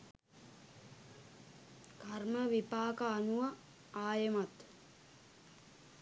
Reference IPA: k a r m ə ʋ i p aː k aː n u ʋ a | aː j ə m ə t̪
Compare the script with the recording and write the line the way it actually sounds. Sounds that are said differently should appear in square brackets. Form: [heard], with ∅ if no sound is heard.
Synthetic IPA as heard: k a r m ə ʋ i p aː k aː n u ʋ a | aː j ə m [a] t̪